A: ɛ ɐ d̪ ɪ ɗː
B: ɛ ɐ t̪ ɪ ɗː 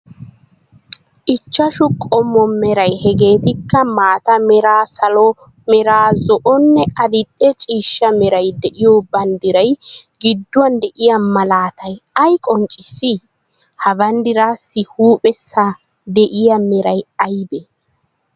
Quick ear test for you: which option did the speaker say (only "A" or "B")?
A